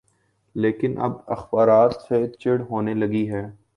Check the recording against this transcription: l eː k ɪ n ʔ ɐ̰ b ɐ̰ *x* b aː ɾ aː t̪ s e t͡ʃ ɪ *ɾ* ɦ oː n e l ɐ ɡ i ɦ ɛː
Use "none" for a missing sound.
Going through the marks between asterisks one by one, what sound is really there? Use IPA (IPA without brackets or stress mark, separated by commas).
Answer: x, ɽ